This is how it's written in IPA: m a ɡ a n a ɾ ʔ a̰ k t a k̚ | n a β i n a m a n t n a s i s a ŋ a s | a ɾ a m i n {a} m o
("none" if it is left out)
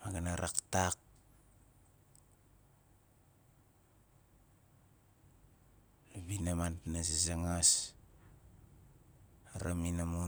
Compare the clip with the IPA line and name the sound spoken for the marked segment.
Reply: a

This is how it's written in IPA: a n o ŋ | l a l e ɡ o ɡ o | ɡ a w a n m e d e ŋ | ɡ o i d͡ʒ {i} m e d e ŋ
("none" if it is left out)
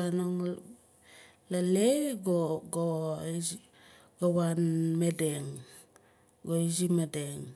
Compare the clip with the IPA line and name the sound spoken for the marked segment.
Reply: i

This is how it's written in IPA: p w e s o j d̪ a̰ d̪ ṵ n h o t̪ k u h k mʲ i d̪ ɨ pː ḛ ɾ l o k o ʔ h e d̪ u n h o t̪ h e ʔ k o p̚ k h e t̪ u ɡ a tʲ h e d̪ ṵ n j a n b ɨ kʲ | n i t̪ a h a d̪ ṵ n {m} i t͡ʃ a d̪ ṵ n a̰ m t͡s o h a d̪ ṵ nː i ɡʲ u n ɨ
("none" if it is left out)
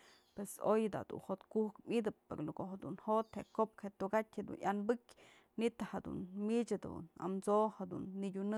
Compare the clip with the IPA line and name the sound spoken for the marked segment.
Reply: m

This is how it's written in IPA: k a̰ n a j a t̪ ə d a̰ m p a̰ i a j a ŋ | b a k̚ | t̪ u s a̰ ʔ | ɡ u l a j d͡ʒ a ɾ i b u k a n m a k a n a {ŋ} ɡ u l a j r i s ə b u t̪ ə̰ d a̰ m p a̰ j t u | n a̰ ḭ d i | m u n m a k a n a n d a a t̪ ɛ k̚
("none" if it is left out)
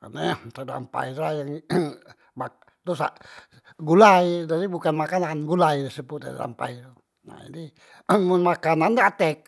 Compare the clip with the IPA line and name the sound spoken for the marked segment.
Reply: n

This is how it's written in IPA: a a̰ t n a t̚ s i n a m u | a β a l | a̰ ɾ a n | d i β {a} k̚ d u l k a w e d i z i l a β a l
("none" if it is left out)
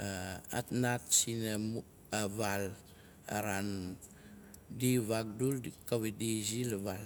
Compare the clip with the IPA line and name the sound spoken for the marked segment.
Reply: a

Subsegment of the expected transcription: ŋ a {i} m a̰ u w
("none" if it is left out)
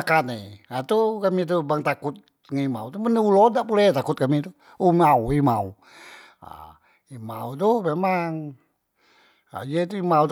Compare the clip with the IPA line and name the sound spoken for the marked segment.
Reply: i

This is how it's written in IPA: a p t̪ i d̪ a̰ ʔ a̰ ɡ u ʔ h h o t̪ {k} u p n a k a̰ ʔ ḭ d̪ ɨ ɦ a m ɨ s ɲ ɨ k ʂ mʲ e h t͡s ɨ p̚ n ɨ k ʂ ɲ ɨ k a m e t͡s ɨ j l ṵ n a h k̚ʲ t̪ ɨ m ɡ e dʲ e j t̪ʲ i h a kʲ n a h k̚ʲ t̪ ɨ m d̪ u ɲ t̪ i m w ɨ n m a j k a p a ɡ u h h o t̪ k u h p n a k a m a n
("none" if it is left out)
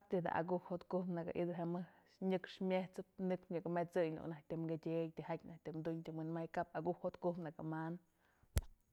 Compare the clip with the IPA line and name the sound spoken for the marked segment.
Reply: k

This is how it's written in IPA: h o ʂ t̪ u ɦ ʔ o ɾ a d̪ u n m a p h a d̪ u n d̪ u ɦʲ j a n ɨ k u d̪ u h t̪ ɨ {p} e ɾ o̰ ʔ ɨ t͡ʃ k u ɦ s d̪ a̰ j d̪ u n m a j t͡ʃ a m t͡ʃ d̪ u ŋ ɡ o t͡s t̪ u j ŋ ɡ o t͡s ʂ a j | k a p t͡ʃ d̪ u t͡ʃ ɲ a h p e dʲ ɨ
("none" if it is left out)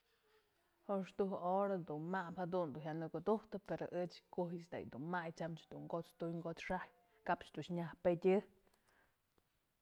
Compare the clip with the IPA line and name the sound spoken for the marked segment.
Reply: p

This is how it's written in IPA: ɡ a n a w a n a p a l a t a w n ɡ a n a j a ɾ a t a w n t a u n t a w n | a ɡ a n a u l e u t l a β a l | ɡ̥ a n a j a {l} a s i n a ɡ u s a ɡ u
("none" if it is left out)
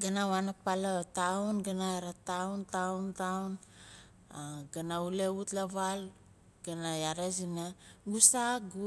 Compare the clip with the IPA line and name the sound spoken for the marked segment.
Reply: ɾ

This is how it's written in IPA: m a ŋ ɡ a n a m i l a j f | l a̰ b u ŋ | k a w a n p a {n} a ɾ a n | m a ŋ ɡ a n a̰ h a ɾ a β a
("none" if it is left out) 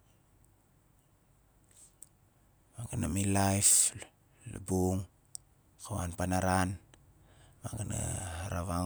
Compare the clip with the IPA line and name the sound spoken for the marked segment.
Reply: n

